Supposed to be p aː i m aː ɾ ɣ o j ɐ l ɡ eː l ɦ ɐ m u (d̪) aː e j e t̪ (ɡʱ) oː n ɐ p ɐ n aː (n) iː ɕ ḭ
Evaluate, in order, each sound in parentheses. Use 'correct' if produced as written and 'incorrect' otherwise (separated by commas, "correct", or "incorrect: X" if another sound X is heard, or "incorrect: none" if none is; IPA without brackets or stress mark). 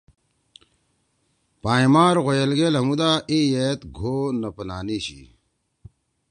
correct, correct, correct